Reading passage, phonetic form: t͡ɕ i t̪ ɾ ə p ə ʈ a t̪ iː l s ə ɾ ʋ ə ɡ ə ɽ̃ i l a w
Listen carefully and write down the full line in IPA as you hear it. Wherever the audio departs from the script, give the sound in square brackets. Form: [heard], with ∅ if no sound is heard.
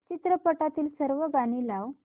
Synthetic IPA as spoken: t͡ɕ i t̪ ɾ ə p ə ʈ a t̪ iː l s ə ɾ ʋ ə ɡ [a] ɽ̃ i l a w